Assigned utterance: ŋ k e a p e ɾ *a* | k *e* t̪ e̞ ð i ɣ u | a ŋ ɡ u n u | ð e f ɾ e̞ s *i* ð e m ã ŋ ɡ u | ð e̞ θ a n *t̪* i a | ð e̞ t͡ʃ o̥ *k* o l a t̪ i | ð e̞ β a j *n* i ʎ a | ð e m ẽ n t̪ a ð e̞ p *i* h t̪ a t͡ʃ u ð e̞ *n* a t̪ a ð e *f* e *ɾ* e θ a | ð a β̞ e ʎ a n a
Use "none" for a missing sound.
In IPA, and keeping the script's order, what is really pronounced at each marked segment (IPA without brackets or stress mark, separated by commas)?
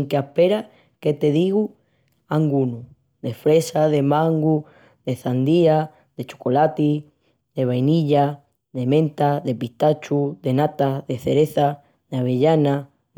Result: a, e, a, d̪, k, n, i, n, θ, ɾ